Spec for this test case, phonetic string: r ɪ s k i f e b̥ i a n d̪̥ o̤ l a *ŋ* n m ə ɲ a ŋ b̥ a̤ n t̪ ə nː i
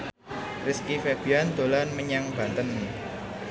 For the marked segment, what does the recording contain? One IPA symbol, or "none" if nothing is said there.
none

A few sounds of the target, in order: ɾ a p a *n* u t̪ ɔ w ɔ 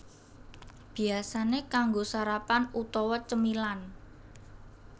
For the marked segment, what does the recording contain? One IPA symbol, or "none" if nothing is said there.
n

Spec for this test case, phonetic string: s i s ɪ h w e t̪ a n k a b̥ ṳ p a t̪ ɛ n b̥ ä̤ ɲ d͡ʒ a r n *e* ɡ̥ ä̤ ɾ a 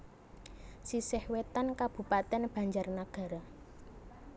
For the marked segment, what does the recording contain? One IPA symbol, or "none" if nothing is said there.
a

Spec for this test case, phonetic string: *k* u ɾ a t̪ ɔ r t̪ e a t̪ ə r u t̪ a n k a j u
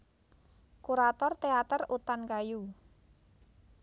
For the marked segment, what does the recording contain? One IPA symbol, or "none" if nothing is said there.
k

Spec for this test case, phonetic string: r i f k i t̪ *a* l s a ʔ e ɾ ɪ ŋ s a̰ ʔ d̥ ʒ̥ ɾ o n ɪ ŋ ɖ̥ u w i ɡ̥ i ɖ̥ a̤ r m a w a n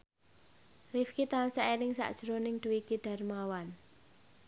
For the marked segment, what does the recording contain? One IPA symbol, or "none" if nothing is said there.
a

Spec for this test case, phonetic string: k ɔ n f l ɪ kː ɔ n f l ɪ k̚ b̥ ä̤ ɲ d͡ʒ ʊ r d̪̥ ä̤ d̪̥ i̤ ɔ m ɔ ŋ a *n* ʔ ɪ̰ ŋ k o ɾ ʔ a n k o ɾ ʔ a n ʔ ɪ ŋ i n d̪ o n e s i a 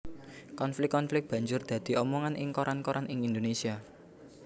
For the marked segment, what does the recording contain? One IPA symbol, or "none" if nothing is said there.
n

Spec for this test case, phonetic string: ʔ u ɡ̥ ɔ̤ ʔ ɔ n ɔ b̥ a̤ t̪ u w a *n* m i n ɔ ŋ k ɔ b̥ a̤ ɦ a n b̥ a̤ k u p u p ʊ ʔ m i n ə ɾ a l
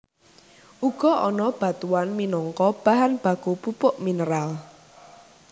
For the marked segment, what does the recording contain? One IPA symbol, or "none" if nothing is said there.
n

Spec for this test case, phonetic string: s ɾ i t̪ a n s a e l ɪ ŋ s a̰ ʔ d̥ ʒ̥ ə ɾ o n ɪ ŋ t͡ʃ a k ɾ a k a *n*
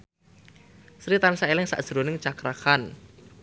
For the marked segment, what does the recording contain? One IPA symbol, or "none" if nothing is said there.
n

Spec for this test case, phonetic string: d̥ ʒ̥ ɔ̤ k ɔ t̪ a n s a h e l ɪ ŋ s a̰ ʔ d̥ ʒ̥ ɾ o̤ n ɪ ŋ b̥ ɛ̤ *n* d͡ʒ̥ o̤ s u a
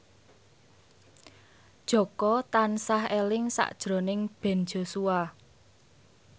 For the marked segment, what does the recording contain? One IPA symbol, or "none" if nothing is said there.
n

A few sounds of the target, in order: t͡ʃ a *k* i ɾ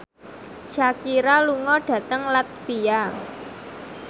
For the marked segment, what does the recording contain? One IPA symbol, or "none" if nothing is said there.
k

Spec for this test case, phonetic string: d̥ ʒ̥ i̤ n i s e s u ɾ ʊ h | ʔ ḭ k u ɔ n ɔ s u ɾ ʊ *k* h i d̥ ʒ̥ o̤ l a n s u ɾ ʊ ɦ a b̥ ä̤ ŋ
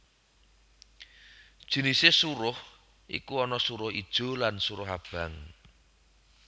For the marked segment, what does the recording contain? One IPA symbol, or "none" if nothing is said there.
none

